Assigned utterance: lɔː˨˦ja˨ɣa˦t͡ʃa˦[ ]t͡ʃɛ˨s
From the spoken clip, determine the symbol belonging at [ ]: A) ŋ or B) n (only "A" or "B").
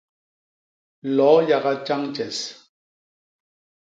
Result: A